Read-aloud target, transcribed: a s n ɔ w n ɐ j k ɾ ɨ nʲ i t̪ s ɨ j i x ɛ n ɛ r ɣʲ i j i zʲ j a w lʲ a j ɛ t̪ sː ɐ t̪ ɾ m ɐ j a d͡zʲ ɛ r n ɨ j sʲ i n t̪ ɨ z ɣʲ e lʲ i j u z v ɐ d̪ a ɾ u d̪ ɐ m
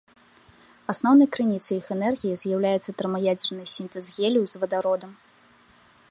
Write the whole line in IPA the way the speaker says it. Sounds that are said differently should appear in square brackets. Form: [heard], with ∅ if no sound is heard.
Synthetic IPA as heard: a s n ɔ w n ɐ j k ɾ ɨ nʲ i t̪ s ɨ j i x ɛ n ɛ r ɣʲ i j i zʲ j a w lʲ a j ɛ t̪ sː ɐ t̪ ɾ m ɐ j a d͡zʲ ɛ r n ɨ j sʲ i n t̪ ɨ z ɣʲ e lʲ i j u z v ɐ d̪ a ɾ [ɔ] d̪ ɐ m